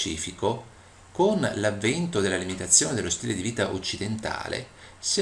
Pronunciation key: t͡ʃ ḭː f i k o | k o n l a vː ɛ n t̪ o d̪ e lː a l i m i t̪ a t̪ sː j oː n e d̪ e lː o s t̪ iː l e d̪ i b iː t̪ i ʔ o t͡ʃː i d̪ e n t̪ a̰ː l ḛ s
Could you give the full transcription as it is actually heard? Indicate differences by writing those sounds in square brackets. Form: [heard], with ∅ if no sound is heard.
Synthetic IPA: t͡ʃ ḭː f i k o | k o n l a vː ɛ n t̪ o d̪ e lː a l i m i t̪ a t̪ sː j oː n e d̪ e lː o s t̪ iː l e d̪ i [v] iː t̪ [a] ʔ o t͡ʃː i d̪ e n t̪ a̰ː l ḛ s